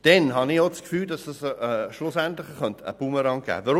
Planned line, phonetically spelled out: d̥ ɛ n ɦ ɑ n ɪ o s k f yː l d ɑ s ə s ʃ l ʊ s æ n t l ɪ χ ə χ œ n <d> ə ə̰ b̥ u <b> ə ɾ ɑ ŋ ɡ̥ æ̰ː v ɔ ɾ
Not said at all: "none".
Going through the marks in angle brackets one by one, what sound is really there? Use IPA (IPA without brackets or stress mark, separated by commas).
t, m